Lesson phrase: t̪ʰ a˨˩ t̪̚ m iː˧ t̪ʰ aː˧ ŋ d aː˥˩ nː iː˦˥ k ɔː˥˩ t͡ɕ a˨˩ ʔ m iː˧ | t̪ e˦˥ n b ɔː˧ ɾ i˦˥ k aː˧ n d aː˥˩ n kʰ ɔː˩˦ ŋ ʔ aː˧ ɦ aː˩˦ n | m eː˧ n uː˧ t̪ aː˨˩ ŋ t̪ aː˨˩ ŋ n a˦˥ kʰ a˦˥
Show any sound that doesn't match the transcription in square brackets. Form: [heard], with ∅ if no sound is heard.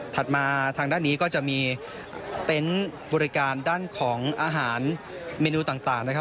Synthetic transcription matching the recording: t̪ʰ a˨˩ t̪̚ m [aː˧] t̪ʰ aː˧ ŋ d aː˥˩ nː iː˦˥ k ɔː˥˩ t͡ɕ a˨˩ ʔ m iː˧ | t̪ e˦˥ n b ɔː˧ ɾ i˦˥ k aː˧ n d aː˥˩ n kʰ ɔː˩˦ ŋ ʔ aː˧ ɦ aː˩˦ n | m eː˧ n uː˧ t̪ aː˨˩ ŋ t̪ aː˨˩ ŋ n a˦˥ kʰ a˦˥

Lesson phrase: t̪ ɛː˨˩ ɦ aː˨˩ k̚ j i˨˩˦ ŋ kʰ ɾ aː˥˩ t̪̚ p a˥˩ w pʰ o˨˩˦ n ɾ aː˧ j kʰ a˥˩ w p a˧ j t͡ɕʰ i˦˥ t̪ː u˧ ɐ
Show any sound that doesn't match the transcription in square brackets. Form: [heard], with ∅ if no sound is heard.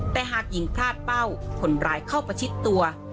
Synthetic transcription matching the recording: t̪ ɛː˨˩ ɦ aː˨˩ k̚ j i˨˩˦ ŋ [pʰ] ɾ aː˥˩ t̪̚ p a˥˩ w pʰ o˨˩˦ n ɾ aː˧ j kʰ a˥˩ w p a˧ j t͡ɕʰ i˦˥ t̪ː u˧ ɐ

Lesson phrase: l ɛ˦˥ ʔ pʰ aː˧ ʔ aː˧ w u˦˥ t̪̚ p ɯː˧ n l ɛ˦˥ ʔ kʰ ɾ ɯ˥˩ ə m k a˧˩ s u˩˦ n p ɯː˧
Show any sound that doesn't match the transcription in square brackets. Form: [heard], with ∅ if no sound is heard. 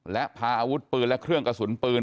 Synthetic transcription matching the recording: l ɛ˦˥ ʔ pʰ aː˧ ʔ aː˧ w u˦˥ t̪̚ p ɯː˧ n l ɛ˦˥ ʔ kʰ ɾ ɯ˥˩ ə [ŋ] k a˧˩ s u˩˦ n p ɯː˧

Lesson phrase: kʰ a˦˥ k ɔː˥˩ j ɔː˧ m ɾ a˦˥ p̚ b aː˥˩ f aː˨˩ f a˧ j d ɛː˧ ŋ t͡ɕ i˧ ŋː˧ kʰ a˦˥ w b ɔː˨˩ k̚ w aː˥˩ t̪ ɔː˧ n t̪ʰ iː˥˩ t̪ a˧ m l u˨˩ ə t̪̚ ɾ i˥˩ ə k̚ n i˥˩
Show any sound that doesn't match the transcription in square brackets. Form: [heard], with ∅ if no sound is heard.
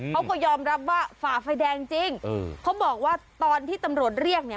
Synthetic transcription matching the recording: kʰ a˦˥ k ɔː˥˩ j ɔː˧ m ɾ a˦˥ p̚ [w] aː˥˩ f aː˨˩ f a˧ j d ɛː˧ ŋ t͡ɕ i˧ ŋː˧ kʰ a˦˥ w b ɔː˨˩ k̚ w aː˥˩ t̪ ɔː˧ n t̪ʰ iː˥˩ t̪ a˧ m [ɾ] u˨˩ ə t̪̚ ɾ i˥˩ ə k̚ n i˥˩

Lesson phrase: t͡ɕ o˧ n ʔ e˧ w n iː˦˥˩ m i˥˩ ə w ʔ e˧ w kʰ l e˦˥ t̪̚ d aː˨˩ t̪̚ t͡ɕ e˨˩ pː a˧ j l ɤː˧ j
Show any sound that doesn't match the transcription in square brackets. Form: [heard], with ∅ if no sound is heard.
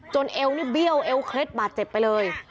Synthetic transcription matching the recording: t͡ɕ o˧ n ʔ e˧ w n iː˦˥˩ [b] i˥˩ ə w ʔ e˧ w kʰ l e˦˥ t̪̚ [b] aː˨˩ t̪̚ t͡ɕ e˨˩ pː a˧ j l ɤː˧ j

